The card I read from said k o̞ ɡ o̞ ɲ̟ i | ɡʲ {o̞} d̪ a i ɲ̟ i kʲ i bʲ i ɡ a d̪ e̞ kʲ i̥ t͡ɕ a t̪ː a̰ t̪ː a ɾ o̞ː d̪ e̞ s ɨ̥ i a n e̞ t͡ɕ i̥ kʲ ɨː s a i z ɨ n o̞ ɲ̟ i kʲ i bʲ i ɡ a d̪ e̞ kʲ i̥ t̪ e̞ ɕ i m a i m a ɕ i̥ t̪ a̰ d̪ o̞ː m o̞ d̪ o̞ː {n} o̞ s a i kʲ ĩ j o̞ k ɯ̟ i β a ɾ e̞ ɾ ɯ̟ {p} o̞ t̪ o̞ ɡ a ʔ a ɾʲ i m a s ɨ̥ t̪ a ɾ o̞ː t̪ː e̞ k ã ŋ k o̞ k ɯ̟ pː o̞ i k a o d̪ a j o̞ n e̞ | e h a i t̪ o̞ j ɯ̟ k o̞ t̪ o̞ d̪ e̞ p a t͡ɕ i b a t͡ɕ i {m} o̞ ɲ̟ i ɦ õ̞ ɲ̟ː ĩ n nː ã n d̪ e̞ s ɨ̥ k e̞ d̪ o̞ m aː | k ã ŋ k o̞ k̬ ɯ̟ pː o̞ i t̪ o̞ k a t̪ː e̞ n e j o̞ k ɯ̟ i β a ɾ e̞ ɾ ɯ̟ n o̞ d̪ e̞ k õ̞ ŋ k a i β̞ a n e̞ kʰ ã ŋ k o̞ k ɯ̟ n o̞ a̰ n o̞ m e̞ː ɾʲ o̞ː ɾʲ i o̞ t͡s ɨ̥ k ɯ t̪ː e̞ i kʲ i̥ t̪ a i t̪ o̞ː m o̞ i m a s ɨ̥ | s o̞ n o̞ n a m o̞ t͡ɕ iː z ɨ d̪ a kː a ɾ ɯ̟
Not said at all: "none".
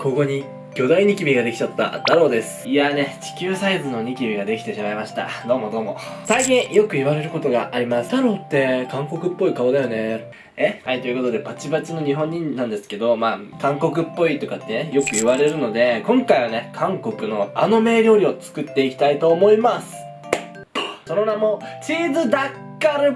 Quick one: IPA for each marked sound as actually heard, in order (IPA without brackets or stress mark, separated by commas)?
o̞, m, k, n